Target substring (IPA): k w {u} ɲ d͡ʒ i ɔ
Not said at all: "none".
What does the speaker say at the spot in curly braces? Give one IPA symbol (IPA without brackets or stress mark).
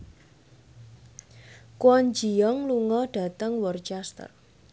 ɔ